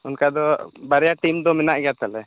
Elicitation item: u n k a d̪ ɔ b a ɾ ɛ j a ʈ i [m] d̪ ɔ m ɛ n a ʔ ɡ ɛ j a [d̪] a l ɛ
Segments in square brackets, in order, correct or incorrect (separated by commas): correct, incorrect